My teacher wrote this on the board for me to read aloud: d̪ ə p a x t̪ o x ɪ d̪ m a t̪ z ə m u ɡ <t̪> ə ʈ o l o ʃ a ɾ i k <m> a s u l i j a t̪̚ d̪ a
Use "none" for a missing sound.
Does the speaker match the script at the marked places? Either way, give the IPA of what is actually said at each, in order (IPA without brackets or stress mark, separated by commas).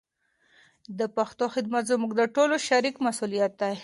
d̪, m